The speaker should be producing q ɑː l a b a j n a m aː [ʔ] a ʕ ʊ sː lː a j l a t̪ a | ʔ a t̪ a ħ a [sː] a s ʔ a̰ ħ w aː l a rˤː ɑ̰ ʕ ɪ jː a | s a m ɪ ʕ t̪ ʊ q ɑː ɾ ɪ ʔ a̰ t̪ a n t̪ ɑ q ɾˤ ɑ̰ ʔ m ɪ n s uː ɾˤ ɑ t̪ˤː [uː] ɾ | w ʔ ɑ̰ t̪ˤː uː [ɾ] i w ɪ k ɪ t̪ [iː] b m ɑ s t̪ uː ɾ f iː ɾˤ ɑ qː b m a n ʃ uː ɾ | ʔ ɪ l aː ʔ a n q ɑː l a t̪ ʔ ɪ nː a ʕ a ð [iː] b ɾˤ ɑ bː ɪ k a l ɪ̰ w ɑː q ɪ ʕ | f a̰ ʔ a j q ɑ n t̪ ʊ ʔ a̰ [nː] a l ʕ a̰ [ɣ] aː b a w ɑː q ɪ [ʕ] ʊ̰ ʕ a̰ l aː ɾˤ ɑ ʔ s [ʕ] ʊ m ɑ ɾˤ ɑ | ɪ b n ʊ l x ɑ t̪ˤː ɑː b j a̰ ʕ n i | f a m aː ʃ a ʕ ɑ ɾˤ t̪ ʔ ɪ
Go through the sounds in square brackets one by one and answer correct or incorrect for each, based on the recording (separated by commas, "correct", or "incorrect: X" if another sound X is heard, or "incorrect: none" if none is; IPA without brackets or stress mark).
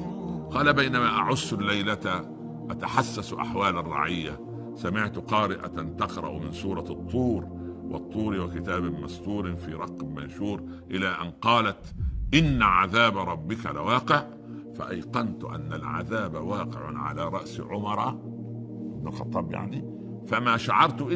correct, correct, correct, correct, incorrect: aː, incorrect: aː, correct, incorrect: ð, correct, correct